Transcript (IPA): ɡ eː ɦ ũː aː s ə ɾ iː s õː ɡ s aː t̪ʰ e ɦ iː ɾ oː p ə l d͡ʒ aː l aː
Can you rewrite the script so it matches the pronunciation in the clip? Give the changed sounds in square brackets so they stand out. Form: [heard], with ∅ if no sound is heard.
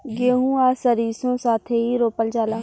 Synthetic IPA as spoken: ɡ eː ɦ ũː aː s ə ɾ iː s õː [∅] s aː t̪ʰ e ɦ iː ɾ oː p ə l d͡ʒ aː l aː